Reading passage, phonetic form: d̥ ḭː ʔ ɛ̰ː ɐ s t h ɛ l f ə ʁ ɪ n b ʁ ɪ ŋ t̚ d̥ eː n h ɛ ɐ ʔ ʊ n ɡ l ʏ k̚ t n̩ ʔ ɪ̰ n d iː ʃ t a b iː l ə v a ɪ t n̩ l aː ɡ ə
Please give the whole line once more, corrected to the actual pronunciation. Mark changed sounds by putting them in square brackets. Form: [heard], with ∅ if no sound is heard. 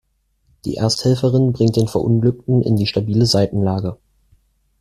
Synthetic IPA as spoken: d̥ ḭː ʔ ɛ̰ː ɐ s t h ɛ l f ə ʁ ɪ n b ʁ ɪ ŋ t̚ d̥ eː n [f] ɛ ɐ ʔ ʊ n ɡ l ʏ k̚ t n̩ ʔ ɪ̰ n d iː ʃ t a b iː l ə [z] a ɪ t n̩ l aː ɡ ə

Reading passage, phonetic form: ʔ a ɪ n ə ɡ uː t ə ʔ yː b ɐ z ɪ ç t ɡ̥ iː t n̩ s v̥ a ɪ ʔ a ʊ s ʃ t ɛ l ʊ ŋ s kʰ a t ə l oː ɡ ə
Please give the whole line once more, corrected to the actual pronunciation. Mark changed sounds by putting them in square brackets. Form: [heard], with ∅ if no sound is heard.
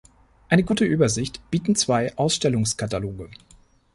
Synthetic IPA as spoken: ʔ a ɪ n ə ɡ uː t ə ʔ yː b ɐ z ɪ ç t [b̥] iː t n̩ [t͡s] v̥ a ɪ ʔ a ʊ s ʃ t ɛ l ʊ ŋ s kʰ a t [a] l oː ɡ ə

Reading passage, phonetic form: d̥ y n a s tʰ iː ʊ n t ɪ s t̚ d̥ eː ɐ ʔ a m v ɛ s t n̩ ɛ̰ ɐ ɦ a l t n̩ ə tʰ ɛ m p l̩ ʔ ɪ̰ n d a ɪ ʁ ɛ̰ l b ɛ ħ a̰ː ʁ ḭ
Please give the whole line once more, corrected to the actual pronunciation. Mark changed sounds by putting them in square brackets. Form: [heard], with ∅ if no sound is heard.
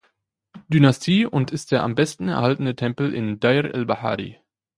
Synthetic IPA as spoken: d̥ y n a s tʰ iː ʊ n t ɪ s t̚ d̥ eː ɐ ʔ a m [b] ɛ s t n̩ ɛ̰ ɐ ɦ a l t n̩ ə tʰ ɛ m p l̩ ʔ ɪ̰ n d a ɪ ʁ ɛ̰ l b [a] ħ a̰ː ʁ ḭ

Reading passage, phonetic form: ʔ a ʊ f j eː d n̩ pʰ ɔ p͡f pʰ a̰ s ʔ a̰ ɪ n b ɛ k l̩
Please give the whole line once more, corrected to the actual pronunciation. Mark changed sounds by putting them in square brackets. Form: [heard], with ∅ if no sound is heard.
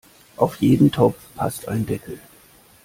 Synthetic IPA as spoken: ʔ a ʊ f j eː d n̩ [tʰ] ɔ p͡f pʰ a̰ s [t] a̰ ɪ n [d] ɛ k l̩

